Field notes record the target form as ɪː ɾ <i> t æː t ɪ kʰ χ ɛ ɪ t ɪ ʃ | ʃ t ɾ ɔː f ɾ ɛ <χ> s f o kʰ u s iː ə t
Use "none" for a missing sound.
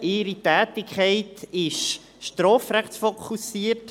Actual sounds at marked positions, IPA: i, χ

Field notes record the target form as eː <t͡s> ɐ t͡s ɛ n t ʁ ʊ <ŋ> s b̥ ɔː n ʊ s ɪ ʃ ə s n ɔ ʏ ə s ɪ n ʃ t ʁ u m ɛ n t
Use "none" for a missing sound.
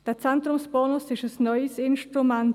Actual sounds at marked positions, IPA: none, m

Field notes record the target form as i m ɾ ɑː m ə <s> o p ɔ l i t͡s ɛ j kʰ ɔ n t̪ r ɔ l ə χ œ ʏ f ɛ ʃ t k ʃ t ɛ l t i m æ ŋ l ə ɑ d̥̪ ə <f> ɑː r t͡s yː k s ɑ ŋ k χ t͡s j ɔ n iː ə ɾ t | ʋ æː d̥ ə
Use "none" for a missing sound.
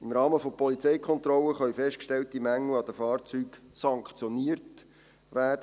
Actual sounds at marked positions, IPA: f, f

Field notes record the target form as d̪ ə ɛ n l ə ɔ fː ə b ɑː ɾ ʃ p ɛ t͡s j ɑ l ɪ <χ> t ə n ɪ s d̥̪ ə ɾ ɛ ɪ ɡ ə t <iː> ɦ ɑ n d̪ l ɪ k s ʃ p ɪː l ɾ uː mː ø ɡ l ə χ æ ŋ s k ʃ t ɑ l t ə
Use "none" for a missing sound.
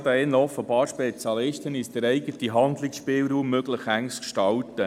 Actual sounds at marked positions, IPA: ʃ, i

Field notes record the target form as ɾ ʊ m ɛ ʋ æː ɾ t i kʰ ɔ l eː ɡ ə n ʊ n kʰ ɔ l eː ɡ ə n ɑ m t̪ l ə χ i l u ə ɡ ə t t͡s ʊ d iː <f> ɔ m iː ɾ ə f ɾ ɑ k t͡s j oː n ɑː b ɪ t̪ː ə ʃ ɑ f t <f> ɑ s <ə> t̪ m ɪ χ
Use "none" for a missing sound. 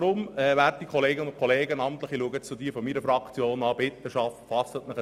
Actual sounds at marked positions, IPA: f, f, ə

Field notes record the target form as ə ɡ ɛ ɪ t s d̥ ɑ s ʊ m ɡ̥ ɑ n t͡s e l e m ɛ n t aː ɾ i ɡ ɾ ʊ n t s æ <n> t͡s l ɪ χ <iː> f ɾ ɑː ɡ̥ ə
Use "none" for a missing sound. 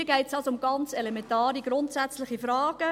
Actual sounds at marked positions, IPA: none, i

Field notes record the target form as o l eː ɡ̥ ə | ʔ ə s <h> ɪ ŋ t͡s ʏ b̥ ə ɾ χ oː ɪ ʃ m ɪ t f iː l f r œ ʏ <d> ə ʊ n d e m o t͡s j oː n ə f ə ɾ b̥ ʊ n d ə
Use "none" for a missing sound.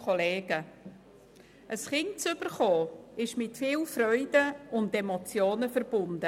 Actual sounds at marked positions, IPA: χ, d

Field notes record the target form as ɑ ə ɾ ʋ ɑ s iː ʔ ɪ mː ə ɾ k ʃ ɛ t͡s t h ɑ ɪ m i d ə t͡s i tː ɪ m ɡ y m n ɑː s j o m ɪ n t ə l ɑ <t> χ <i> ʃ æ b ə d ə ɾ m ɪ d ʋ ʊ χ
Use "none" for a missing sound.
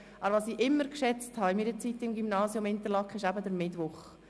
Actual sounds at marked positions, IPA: k, ɪ

